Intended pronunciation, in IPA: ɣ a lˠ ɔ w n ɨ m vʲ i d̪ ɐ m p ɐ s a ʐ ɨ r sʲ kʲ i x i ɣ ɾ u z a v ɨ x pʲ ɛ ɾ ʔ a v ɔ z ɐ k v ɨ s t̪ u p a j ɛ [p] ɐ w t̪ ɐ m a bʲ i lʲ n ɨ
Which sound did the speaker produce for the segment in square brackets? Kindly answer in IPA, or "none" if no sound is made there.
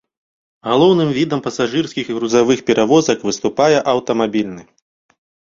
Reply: ʔ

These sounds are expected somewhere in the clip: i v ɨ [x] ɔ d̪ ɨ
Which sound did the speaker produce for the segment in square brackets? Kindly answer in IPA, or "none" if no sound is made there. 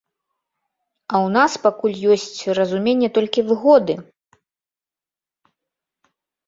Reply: ɣ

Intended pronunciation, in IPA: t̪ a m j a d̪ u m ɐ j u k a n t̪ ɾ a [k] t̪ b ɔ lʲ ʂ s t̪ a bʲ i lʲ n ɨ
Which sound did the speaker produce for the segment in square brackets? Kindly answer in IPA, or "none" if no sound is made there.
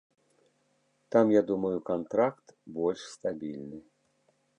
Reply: k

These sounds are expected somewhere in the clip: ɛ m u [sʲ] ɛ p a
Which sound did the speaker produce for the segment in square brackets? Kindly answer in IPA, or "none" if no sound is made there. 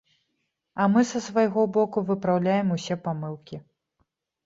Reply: sʲ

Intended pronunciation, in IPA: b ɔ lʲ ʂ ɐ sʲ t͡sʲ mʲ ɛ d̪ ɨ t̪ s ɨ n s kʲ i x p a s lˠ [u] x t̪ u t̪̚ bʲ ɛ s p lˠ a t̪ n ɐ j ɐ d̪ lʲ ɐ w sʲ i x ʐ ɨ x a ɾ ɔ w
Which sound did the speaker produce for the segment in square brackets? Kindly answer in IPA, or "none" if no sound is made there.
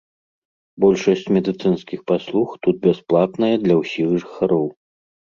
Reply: u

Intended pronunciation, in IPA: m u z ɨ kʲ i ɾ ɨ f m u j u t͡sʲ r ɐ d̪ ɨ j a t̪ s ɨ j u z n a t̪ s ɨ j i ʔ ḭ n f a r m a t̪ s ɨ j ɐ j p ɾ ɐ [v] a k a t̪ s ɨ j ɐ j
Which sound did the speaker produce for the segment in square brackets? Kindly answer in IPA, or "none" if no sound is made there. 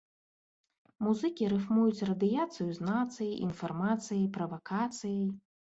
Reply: v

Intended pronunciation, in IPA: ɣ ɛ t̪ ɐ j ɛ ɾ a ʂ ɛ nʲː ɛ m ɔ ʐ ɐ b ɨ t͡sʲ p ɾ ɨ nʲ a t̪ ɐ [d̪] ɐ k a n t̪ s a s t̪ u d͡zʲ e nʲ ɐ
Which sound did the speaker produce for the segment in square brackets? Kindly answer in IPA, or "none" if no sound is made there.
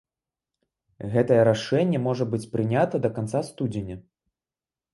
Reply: d̪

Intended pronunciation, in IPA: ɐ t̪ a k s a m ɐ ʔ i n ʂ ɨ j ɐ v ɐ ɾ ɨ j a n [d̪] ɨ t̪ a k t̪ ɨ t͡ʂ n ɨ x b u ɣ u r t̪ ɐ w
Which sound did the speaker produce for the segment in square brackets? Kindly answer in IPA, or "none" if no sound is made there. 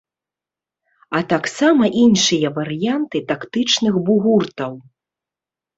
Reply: t̪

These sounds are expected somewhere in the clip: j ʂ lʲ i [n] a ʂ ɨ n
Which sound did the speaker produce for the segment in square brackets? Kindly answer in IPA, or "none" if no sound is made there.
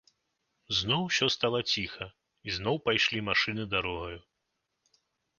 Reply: m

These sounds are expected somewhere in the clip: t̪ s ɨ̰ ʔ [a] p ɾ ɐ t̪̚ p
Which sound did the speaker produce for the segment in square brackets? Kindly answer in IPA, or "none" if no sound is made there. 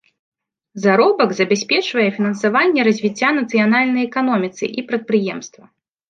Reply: i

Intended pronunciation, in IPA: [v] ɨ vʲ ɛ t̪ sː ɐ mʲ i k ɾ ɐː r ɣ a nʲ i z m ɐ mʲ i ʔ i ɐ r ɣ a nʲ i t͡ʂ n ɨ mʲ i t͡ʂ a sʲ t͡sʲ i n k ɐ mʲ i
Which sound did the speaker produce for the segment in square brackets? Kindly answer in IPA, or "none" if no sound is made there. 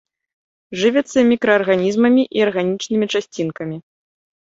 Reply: ʐ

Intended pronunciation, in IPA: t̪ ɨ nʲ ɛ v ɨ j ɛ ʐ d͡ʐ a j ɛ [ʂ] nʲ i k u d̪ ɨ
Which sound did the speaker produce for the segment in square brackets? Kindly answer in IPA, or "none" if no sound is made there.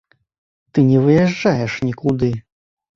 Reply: ʂ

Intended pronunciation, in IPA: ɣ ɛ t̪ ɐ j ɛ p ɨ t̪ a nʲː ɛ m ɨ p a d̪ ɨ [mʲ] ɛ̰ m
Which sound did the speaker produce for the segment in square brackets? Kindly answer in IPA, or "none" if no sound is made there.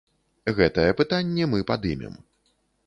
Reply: mʲ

